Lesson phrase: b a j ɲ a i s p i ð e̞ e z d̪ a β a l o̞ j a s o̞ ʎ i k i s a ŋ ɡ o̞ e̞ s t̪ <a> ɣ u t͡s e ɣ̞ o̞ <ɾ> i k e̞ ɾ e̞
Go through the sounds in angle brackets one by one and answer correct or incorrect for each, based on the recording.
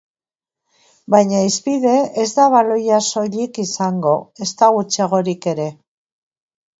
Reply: correct, correct

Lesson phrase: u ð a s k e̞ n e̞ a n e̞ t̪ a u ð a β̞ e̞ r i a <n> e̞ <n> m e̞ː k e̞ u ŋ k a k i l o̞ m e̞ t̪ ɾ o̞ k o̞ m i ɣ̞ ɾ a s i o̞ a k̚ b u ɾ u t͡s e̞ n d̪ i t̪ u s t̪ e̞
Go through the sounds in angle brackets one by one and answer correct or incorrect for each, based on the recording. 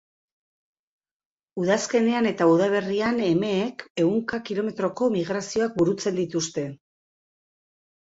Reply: correct, incorrect

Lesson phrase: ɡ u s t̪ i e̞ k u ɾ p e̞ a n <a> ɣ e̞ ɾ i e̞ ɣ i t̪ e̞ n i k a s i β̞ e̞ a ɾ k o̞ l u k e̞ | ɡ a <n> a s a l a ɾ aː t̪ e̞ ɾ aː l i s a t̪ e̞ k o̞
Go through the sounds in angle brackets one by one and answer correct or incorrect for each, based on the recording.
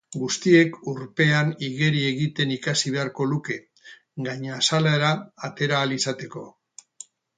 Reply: incorrect, incorrect

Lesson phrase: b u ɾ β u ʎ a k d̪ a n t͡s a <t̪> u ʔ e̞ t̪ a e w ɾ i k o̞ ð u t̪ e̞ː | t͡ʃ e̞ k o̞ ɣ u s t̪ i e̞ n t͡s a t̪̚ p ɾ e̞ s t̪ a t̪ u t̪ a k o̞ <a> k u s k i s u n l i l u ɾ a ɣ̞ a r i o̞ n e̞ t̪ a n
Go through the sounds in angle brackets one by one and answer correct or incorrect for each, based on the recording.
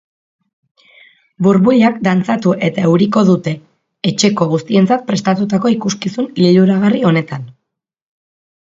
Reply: correct, incorrect

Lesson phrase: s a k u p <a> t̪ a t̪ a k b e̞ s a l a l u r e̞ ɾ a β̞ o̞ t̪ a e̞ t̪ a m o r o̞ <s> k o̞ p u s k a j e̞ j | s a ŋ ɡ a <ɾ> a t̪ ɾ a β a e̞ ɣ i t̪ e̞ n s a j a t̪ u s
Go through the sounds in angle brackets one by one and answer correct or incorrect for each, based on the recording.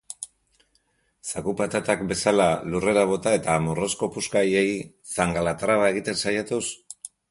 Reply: correct, correct, incorrect

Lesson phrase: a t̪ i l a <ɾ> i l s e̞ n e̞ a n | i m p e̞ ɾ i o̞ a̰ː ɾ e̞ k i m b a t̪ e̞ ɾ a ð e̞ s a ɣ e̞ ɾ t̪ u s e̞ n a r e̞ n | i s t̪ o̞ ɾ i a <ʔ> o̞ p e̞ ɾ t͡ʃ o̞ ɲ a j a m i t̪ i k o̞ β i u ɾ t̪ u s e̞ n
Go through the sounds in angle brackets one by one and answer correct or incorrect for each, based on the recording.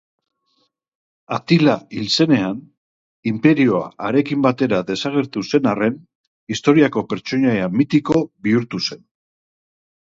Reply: incorrect, incorrect

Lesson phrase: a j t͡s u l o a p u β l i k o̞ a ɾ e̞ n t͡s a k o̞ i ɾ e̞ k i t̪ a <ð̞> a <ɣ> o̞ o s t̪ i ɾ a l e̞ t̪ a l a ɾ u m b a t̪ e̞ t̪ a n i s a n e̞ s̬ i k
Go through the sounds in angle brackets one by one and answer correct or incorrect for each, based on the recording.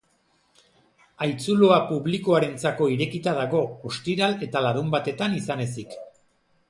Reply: correct, correct

